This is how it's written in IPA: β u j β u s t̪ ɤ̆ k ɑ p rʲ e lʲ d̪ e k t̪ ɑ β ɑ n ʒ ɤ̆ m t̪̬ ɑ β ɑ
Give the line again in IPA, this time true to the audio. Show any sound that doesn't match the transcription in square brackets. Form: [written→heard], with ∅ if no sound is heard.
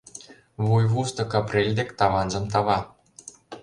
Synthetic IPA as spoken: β u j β u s t̪ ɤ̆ k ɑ p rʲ e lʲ d̪ e k t̪ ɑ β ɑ n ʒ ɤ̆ m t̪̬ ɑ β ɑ